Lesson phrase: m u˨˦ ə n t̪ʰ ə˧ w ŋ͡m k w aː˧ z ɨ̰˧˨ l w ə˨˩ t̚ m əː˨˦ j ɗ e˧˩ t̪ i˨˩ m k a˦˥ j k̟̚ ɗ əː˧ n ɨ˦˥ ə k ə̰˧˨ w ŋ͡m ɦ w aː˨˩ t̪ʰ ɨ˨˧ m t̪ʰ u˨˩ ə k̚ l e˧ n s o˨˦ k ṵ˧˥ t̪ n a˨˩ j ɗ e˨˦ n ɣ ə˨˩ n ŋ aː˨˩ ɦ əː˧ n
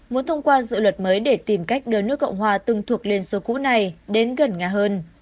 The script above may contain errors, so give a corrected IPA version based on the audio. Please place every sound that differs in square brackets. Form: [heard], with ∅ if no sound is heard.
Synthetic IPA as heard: m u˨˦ ə n t̪ʰ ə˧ w ŋ͡m k w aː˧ z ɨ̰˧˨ l w ə˨˩ t̚ m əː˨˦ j ɗ e˧˩ t̪ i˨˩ m k a˦˥ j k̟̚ ɗ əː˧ n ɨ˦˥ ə k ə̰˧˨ w ŋ͡m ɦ w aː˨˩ [t̪] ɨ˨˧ [ŋ] t̪ʰ u˨˩ ə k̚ l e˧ n s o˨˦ k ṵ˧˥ [∅] n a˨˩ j ɗ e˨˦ n ɣ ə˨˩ n ŋ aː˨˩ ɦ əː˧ n